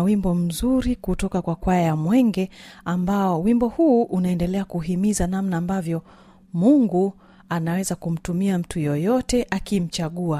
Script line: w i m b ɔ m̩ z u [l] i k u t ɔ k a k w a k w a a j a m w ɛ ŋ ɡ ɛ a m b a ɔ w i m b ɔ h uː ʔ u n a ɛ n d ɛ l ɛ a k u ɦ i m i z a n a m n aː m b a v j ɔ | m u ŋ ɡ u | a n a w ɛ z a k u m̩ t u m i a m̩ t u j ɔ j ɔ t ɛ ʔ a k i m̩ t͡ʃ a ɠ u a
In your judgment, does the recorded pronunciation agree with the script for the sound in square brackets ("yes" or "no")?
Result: no